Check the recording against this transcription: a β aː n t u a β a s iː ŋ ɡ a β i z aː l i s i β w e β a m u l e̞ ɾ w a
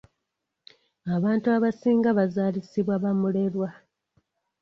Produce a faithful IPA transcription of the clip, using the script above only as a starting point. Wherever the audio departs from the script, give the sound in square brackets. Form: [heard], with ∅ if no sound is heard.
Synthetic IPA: a β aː n t u a β a s iː ŋ ɡ a β [a] z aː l i s i β w [a] β a m u l e̞ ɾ w a